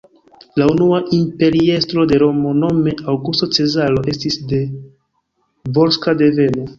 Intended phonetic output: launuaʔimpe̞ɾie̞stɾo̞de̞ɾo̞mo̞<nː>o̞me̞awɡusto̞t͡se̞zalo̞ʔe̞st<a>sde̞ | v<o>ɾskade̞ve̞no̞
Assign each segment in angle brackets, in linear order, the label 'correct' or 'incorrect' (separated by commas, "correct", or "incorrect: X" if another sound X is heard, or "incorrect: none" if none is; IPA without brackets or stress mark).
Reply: incorrect: n, incorrect: i, correct